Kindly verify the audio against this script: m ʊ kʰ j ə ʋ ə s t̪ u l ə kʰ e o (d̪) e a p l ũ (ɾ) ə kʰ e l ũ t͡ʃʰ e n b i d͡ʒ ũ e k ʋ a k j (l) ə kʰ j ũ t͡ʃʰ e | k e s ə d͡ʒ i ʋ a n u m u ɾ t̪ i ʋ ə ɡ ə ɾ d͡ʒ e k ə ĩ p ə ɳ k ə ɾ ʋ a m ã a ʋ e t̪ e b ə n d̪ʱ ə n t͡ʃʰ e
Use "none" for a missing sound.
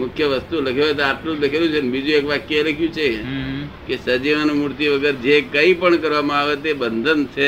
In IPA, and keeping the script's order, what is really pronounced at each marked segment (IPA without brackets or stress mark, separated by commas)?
t̪, l, l